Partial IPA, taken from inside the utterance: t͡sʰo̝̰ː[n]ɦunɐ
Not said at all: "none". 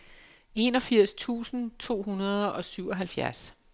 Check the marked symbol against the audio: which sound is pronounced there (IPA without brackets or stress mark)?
none